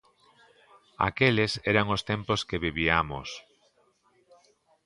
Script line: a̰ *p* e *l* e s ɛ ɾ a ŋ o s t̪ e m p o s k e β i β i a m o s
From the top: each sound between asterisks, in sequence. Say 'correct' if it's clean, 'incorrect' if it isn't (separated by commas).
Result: incorrect, correct